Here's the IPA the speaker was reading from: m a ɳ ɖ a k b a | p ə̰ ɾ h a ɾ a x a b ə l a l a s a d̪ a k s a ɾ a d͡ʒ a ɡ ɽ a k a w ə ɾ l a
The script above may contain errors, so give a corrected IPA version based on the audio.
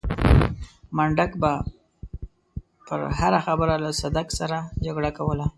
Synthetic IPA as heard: m a ɳ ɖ a k b a | p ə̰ ɾ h a ɾ a x a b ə ɾ a l a s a d̪ a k s a ɾ a d͡ʒ a ɡ ɽ a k a w ə l a